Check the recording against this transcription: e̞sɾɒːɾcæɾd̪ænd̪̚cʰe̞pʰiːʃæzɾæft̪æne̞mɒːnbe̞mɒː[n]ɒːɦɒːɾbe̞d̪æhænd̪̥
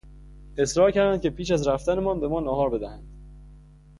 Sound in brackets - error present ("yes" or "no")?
no